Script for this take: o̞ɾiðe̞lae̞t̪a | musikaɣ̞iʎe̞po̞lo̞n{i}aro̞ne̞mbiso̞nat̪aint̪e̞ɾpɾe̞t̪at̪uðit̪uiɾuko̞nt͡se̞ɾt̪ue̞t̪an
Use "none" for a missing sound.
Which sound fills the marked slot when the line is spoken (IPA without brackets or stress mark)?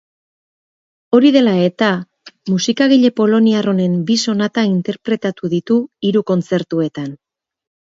i